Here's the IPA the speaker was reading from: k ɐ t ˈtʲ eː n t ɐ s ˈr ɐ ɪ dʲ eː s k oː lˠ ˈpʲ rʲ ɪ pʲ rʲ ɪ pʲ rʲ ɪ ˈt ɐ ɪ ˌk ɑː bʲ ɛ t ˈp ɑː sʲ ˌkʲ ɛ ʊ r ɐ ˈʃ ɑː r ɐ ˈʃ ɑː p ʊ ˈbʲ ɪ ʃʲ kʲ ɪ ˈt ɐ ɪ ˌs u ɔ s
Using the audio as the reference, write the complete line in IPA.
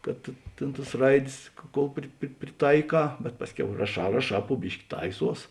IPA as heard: k ɐ t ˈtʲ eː n t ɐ s ˈr ɐ ɪ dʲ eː s k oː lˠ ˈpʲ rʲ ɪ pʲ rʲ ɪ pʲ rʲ ɪ ˈt ɐ ɪ ˌk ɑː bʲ ɛ t ˈp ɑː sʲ ˌkʲ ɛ ʊ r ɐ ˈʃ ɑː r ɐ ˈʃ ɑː p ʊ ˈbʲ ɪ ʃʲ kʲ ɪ ˈt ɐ ɪ ˌs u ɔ s